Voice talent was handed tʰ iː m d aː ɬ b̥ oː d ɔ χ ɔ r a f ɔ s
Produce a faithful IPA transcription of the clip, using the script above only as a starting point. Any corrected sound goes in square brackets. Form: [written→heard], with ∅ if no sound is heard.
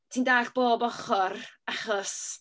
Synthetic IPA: tʰ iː [m→n] d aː ɬ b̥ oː [d→b] ɔ χ ɔ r a [f→χ] ɔ s